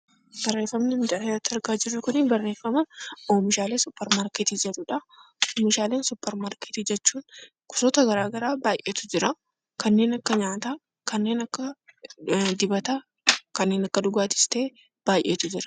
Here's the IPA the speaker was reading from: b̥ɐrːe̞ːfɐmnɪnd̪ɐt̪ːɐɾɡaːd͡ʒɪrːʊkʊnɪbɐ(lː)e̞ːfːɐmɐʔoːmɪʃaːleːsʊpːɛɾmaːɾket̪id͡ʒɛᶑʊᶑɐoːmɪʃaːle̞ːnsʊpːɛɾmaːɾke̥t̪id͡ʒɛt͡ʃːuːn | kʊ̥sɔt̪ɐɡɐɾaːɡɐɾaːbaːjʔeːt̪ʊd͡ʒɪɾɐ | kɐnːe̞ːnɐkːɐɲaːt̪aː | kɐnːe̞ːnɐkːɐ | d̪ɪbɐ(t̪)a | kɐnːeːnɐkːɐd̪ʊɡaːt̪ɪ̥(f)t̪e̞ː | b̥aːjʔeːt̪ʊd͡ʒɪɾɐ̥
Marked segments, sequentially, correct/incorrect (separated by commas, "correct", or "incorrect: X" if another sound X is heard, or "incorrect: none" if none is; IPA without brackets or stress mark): incorrect: rː, correct, incorrect: s